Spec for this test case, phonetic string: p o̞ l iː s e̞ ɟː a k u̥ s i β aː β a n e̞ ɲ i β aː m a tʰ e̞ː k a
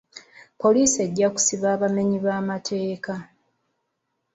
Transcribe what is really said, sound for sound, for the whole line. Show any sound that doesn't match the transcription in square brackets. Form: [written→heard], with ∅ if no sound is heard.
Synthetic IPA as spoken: p o̞ l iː s e̞ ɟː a k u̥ s i β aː β a [n→m] e̞ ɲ i β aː m a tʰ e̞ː k a